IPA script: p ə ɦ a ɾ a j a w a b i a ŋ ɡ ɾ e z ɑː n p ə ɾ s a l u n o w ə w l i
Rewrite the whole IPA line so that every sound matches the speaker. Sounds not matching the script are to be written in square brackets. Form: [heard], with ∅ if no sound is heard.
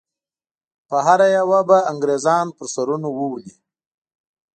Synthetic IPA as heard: p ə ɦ a ɾ a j a w a b [a] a ŋ ɡ ɾ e z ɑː n p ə ɾ s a [ɾ] u n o w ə w l i